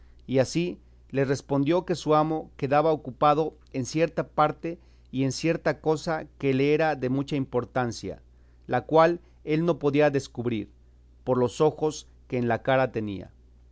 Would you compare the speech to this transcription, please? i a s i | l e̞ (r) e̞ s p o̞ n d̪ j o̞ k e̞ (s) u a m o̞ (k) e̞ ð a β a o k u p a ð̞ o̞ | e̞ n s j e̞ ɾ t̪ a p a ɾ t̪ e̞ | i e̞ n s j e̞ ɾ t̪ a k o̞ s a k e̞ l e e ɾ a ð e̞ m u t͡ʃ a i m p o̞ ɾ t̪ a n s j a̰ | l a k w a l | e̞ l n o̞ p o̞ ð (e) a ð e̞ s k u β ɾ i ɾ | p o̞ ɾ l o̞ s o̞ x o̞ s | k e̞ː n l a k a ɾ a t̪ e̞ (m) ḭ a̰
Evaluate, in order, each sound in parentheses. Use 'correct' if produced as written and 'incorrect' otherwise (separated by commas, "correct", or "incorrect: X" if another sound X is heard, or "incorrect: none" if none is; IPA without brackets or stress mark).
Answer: correct, correct, correct, incorrect: i, incorrect: n